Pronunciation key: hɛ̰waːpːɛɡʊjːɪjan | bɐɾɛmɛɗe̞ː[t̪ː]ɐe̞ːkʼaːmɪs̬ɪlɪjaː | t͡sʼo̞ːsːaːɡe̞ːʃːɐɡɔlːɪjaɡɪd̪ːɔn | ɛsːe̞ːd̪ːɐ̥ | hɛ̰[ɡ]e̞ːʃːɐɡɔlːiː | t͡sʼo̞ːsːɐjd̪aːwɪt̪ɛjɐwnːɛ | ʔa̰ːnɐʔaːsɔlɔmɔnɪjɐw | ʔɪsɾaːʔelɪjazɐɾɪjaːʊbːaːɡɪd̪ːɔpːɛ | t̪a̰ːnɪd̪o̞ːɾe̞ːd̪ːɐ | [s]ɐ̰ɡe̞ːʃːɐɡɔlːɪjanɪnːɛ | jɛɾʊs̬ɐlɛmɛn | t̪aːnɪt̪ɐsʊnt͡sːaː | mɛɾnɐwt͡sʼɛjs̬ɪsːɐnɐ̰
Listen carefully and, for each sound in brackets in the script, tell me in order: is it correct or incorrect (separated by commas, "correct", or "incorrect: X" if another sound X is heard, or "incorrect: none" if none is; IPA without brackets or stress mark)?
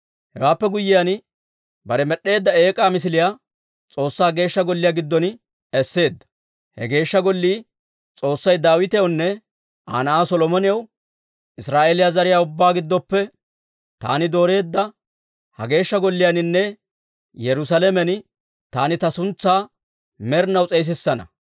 incorrect: d̪ː, correct, incorrect: h